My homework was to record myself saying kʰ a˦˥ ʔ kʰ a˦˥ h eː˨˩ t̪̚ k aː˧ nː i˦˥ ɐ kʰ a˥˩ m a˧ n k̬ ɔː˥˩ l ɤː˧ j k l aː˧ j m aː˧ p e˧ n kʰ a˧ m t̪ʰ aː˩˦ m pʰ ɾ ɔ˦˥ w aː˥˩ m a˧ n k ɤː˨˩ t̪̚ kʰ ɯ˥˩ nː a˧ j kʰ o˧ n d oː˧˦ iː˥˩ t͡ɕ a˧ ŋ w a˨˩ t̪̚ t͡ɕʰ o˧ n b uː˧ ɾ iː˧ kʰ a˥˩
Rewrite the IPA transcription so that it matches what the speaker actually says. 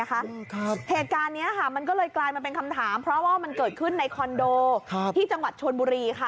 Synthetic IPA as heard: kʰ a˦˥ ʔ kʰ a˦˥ h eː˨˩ t̪̚ k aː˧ nː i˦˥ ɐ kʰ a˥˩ m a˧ n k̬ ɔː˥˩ l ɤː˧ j k l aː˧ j m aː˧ p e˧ n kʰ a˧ m t̪ʰ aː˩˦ m pʰ ɾ ɔ˦˥ w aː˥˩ m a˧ n k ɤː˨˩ t̪̚ kʰ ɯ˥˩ nː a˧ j kʰ ɔ˧ n d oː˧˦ iː˥˩ t͡ɕ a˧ ŋ w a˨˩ t̪̚ t͡ɕʰ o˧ n b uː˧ ɾ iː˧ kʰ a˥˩